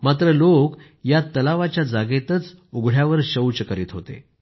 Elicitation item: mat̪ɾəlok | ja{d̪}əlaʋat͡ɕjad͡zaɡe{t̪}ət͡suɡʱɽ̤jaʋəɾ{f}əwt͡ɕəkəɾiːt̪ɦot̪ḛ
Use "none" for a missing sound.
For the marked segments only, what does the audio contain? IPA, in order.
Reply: t̪, t̪, ɕ

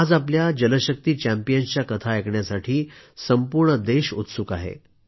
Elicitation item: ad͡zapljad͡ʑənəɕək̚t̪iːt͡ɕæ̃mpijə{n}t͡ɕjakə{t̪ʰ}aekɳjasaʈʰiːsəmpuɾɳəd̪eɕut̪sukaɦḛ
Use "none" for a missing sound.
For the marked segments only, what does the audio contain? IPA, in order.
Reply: n, t̪ʰ

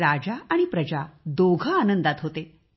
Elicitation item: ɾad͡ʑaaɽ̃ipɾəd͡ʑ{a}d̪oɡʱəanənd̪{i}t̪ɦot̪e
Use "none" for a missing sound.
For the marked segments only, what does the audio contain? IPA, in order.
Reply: a, a

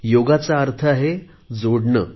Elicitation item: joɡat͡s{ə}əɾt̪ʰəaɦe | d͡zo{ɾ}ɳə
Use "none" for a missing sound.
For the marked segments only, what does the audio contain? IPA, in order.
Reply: a, ɽ

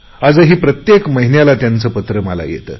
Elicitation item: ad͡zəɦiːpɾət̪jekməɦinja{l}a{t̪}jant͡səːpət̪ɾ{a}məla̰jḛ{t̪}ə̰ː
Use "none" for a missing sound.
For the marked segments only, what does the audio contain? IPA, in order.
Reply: l, t̪, ə, t̪

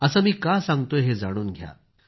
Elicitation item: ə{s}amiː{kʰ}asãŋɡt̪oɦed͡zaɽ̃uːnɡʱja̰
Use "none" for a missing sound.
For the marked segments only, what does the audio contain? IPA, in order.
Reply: s, k

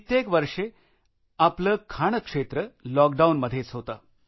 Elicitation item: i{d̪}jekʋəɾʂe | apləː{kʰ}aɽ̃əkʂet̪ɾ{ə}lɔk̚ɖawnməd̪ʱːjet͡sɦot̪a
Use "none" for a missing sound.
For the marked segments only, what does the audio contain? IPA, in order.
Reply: t̪, kʰ, ə

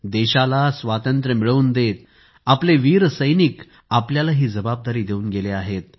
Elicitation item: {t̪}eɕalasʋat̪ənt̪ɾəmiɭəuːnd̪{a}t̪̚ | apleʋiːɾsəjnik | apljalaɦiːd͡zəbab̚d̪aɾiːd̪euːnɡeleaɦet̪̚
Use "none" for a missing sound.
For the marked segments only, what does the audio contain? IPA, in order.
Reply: d̪, e

